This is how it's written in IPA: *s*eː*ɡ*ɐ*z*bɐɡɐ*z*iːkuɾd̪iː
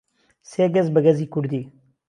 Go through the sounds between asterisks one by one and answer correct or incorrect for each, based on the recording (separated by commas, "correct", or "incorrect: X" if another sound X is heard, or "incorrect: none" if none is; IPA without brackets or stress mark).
correct, correct, correct, correct